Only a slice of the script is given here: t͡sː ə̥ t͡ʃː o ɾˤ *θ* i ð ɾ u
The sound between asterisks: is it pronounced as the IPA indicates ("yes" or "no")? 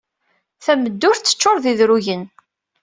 no